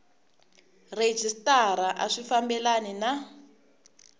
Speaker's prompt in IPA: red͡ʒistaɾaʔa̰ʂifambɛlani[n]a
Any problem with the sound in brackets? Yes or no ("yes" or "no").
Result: no